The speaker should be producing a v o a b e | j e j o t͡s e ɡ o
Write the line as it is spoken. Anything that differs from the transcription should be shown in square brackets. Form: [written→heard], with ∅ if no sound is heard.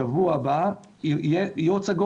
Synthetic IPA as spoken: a v [o→u] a b [e→a] | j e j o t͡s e ɡ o